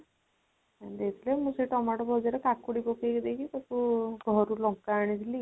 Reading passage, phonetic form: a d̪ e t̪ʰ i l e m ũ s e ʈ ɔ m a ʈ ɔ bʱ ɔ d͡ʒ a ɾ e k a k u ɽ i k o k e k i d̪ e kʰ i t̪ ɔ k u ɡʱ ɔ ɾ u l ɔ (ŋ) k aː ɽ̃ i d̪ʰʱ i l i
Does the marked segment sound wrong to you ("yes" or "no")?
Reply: no